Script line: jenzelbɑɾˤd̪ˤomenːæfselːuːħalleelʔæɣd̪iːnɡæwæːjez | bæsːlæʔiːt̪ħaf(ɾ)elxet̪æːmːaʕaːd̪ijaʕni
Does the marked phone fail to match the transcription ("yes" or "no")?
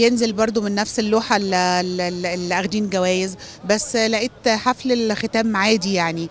yes